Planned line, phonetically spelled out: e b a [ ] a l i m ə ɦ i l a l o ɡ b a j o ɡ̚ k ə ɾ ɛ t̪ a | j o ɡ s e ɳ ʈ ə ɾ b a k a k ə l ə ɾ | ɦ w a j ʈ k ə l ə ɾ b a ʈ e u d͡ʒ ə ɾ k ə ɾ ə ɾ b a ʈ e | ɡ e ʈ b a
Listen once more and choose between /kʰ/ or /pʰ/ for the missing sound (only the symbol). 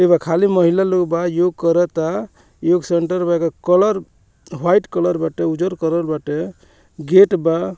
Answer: kʰ